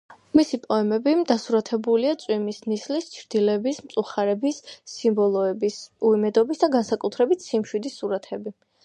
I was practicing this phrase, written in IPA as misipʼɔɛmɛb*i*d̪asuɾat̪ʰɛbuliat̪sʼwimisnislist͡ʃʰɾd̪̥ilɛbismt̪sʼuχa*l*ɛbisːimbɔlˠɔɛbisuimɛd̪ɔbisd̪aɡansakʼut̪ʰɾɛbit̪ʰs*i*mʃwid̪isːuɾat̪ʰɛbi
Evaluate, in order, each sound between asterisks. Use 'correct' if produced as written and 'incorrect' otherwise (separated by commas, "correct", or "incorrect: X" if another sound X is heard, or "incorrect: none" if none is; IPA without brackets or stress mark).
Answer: correct, incorrect: ɾ, correct